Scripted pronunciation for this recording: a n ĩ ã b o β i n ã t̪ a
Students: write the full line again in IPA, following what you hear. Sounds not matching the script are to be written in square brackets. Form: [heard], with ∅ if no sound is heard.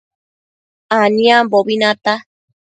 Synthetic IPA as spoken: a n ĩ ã b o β i n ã t̪ a

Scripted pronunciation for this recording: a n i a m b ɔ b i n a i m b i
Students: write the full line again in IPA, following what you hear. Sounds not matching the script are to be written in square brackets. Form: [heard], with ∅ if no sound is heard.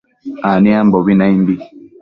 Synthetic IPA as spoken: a n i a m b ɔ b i n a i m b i

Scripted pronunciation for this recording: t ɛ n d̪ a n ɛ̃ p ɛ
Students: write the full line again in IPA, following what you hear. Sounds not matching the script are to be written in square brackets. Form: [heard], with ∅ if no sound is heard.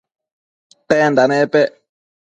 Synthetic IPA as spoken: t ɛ n d̪ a n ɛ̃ p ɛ

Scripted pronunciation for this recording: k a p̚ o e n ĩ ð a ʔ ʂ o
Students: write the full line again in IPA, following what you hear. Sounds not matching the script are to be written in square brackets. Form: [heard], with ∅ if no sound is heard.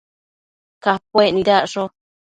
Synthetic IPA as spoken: k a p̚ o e n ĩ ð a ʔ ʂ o

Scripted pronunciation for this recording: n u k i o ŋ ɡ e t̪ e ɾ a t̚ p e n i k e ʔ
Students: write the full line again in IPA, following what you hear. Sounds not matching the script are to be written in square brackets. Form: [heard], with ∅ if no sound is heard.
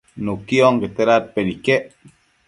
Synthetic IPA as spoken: n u k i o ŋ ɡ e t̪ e ɾ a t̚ p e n i k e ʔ

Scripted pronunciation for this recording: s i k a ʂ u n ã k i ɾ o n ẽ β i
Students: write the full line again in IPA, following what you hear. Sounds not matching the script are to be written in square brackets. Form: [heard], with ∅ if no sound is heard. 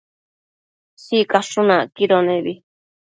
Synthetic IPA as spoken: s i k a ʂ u n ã k i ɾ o n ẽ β i

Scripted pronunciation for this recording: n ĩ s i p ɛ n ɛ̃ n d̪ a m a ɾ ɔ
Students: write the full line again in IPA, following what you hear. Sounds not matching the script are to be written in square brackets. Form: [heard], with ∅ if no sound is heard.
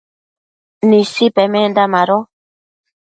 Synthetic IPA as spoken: n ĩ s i p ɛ [m] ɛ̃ n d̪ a m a ɾ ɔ

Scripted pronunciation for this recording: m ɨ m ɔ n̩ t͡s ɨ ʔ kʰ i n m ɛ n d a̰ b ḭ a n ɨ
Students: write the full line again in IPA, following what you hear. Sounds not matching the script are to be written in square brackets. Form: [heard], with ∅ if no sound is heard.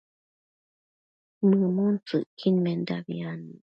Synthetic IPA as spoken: m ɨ m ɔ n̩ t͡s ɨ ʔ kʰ i n m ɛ n d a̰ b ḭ a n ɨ

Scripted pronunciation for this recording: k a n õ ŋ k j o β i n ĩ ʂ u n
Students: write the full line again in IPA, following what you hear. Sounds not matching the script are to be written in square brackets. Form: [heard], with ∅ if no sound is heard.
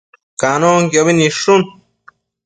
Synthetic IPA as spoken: k a n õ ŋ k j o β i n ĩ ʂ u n

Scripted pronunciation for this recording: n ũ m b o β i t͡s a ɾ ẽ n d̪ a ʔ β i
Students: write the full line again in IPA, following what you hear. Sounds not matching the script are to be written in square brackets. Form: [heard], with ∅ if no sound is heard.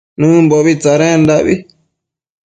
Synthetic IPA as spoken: n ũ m b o β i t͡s a ɾ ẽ n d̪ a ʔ β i

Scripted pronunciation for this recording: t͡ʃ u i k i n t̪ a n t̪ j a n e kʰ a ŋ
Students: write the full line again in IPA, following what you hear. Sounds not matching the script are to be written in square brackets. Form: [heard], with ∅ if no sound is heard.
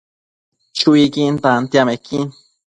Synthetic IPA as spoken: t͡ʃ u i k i n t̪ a n t̪ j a [m] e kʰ [i] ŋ

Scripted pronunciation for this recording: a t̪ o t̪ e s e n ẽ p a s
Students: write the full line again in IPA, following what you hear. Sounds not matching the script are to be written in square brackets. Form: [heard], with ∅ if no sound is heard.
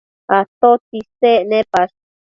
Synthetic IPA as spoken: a t̪ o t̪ [i] s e n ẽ p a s

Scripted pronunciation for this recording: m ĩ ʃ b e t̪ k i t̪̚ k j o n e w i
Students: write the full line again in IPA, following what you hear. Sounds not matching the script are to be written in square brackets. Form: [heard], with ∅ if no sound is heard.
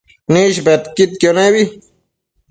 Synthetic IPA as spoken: [n] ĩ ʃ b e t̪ k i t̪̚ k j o n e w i

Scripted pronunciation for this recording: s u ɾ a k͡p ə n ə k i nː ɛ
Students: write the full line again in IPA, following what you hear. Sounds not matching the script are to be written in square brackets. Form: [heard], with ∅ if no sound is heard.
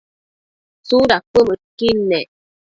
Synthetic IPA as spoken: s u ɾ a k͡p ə [m] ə k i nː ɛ

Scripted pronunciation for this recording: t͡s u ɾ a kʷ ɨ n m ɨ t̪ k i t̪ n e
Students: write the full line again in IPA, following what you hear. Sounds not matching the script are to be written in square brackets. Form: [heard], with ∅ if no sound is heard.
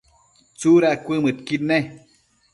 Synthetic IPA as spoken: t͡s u ɾ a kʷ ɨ [∅] m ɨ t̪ k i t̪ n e

